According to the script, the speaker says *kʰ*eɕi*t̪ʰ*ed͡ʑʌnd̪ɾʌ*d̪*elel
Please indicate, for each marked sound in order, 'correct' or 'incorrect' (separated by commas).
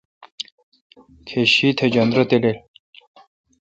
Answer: correct, correct, incorrect